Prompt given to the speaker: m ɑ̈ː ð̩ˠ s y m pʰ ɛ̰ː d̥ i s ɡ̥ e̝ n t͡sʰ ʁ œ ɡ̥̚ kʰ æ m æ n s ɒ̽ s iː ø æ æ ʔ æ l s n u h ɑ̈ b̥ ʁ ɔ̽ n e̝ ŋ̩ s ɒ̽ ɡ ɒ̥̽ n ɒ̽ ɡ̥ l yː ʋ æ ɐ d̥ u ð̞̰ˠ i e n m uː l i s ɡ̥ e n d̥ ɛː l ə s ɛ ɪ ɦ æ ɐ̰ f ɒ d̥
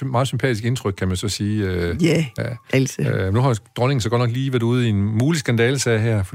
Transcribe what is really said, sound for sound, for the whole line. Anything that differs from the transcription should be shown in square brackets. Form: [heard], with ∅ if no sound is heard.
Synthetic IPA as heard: m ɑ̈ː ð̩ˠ s y m pʰ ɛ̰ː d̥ i s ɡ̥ e̝ n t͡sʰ ʁ œ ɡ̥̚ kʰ æ m æ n s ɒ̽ s iː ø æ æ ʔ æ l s n u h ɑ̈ [d̥] ʁ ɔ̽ n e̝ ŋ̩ s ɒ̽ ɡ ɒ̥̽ n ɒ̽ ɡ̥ l [iː] ʋ æ ɐ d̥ u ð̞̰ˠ i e n m uː l i s ɡ̥ [æ] n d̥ ɛː l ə s ɛ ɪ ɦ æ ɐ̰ f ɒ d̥